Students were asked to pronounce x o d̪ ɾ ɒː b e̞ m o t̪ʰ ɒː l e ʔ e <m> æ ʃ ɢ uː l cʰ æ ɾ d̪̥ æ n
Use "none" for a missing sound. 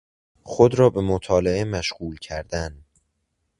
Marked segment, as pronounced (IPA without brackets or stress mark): m